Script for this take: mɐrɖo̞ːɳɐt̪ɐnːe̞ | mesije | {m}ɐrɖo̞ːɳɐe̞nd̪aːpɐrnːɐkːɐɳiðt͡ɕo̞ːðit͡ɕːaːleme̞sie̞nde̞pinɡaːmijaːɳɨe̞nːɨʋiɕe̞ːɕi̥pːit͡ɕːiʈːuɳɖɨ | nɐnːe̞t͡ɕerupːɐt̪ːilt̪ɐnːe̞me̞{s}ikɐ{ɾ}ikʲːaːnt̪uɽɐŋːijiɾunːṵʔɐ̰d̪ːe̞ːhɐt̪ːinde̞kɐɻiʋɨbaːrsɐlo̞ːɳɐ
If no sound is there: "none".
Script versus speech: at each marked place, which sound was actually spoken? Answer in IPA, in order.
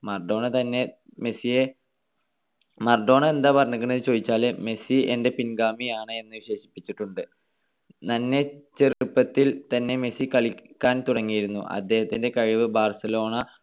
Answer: m, s, ɭ

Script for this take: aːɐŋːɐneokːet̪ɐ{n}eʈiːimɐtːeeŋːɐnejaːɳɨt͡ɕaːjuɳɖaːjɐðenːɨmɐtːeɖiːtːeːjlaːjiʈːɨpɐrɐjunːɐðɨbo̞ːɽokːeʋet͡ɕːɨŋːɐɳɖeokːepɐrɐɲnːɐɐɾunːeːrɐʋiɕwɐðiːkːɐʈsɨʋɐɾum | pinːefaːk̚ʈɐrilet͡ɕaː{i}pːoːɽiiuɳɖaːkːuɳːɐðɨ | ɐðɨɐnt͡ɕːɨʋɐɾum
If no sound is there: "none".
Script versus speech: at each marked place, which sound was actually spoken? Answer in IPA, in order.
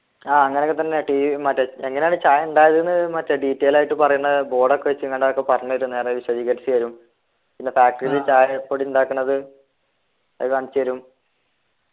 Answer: nː, j

